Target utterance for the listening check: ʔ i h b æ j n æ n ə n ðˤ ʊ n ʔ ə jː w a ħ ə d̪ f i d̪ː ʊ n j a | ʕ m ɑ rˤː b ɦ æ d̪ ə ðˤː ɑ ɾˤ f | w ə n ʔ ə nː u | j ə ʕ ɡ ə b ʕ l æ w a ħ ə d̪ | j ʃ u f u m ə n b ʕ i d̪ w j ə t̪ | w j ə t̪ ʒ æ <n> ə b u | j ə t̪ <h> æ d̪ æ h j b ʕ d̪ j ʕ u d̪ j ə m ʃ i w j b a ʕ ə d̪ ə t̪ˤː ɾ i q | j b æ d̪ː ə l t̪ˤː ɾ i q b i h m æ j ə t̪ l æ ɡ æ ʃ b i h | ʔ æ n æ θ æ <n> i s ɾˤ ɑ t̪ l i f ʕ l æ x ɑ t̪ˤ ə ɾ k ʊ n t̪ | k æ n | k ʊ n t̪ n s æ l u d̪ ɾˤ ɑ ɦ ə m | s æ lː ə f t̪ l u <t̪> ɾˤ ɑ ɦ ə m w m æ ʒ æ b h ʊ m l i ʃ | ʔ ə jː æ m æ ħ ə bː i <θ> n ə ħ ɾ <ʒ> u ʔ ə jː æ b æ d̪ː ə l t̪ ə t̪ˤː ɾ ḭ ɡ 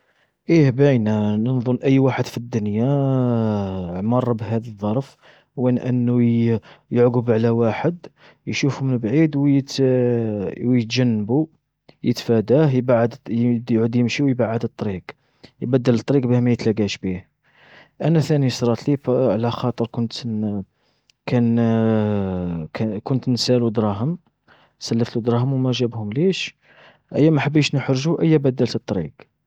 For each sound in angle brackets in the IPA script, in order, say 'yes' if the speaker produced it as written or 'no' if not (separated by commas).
no, no, yes, no, no, yes